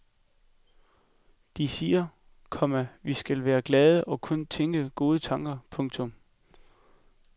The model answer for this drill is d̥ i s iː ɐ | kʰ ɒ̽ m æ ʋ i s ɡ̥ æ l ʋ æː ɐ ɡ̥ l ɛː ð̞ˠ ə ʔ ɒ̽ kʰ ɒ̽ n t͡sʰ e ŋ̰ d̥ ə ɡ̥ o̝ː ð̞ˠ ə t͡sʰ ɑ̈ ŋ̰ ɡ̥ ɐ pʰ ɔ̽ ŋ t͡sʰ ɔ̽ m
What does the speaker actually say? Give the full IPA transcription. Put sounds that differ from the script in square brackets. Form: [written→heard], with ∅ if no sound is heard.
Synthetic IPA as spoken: d̥ i s iː ɐ | kʰ ɒ̽ m æ ʋ i s ɡ̥ æ l ʋ æː ɐ ɡ̥ l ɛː ð̞ˠ ə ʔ ɒ̽ kʰ [ɒ̽→ɔ̽] n t͡sʰ e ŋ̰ [d̥→ɡ̥] ə ɡ̥ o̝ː ð̞ˠ ə t͡sʰ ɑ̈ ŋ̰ ɡ̥ ɐ pʰ ɔ̽ ŋ t͡sʰ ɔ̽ m